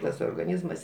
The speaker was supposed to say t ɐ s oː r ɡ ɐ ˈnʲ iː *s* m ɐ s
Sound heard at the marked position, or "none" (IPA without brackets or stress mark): z